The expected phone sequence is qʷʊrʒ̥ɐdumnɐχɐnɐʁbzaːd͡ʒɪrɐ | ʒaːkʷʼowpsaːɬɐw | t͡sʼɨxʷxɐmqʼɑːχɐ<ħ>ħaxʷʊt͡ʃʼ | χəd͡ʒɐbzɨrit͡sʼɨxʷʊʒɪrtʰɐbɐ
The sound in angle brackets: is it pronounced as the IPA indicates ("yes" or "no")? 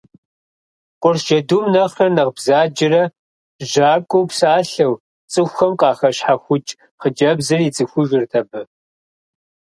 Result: no